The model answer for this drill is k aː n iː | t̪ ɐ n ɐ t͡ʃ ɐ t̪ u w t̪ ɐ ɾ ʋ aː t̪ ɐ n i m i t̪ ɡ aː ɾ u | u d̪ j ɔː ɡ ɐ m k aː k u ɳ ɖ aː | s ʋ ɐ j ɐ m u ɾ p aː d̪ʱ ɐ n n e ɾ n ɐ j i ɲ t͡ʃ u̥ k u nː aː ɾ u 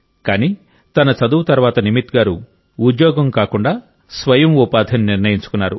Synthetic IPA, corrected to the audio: k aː n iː | t̪ ɐ n ɐ t͡ʃ ɐ d̪ u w t̪ ɐ ɾ ʋ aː t̪ ɐ n i m i t̪ ɡ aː ɾ u | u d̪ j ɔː ɡ ɐ m k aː k u ɳ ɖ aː | s ʋ ɐ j ɐ m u p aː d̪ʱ ɐ n n i ɾ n ɐ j i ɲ t͡ʃ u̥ k u nː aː ɾ u

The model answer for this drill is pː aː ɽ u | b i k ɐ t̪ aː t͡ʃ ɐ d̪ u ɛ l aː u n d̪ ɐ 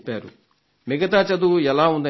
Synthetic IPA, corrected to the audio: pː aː ɾ u | m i ɡ ɐ t̪ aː t͡ʃ ɐ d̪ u ɛ l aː u n d̪ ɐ

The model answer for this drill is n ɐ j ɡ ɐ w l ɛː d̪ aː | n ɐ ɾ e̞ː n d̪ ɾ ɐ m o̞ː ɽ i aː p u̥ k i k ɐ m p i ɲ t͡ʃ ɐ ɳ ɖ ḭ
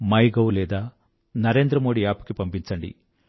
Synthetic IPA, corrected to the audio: m ɐ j ɡ ɐ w l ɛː d̪ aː | n ɐ ɾ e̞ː n d̪ ɾ ɐ m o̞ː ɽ i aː p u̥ k i p ɐ m p i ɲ t͡ʃ ɐ ɳ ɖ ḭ

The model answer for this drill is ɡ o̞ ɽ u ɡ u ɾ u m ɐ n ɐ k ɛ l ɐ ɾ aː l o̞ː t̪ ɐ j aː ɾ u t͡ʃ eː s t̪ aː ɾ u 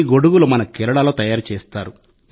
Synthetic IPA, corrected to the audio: ɡ o̞ ɽ u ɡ u l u m ɐ n ɐ k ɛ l ɐ ɽ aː l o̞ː t̪ ɐ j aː ɾ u t͡ʃ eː s t̪ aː ɾ u

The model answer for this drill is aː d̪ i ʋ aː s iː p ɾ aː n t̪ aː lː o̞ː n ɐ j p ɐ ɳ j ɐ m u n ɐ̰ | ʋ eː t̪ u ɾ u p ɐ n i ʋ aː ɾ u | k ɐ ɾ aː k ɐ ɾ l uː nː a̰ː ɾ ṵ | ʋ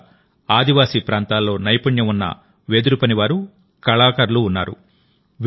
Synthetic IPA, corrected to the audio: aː d̪ i ʋ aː s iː p ɾ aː n t̪ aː lː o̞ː n ɐ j p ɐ ɳ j ɐ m u nː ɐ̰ | ʋ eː d̪ u ɾ u p ɐ n i ʋ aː ɾ u | k ɐ ɭ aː k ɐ ɾ l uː nː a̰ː ɾ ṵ | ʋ

